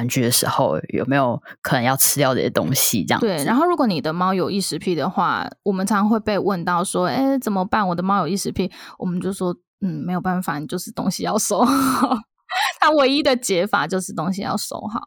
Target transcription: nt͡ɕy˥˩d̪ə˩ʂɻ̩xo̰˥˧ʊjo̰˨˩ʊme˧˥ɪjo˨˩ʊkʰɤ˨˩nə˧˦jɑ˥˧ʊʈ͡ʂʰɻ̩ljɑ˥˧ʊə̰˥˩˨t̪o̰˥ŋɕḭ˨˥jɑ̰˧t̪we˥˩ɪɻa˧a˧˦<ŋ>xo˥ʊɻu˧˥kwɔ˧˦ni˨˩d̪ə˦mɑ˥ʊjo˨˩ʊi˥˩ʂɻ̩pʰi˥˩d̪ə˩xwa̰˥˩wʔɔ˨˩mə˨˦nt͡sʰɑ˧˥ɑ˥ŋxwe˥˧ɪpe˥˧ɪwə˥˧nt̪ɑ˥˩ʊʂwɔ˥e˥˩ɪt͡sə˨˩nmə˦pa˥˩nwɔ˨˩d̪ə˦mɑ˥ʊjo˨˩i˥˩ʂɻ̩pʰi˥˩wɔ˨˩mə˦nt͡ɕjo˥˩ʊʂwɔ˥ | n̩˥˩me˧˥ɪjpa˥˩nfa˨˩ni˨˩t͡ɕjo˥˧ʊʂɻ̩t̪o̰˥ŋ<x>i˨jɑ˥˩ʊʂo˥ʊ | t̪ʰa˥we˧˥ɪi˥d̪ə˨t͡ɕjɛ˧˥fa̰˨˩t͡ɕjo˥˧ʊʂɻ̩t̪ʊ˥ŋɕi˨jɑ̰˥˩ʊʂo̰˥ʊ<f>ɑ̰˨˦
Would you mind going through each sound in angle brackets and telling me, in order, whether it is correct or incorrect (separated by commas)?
incorrect, incorrect, incorrect